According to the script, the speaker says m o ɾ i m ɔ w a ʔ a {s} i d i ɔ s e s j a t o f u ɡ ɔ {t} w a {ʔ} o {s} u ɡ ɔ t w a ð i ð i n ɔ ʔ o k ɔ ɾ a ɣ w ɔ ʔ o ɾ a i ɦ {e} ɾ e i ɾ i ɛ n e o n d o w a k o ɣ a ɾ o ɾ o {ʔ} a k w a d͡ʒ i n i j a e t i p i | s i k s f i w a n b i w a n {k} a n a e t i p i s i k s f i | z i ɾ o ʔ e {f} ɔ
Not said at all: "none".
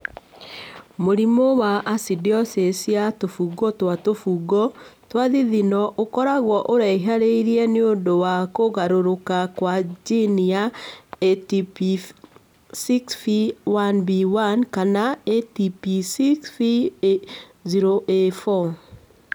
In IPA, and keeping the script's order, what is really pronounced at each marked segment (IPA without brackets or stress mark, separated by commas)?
s, t, t, f, a, k, k, f